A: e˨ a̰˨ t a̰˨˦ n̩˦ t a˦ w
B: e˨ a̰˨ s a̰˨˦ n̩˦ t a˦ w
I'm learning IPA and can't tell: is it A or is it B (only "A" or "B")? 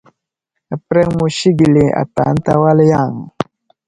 A